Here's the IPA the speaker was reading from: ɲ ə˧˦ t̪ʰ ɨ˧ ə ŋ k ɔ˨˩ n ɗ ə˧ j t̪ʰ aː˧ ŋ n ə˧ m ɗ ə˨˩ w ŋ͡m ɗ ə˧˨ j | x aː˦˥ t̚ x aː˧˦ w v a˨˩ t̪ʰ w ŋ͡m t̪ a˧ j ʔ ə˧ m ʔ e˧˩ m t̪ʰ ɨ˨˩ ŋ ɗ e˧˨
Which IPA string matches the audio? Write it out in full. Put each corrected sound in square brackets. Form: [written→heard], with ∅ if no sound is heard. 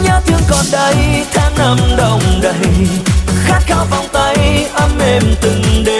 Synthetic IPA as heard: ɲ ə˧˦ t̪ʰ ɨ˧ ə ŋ k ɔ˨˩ n ɗ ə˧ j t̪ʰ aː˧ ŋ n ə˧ m ɗ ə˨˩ w ŋ͡m ɗ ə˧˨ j | x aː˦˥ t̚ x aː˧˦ w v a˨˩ [t̪ʰ→∅] w ŋ͡m t̪ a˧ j ʔ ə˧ m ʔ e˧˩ m [t̪ʰ→t̪] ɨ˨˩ ŋ ɗ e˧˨